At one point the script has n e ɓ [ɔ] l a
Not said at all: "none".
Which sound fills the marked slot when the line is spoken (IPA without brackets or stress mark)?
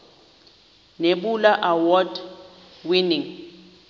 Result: u